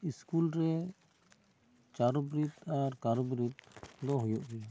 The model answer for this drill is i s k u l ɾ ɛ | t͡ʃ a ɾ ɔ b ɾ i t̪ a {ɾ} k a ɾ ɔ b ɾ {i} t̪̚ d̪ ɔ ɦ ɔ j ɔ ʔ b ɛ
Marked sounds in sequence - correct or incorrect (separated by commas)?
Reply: correct, correct